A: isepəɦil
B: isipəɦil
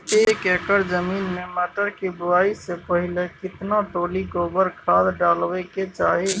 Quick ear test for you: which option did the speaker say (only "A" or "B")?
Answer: A